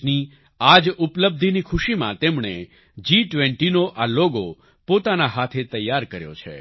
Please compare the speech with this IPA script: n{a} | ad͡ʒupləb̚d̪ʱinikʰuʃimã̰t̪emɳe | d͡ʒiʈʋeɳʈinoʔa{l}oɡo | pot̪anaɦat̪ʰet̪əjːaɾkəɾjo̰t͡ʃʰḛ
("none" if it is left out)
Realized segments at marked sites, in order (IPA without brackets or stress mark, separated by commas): i, l